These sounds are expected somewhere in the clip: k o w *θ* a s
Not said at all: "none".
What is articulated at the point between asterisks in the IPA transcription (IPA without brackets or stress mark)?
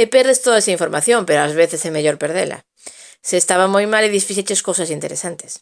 s